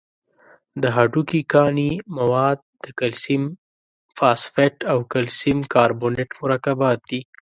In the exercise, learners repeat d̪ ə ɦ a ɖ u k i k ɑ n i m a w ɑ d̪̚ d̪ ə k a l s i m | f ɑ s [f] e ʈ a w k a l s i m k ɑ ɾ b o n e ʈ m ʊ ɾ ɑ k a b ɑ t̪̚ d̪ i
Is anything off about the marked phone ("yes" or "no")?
no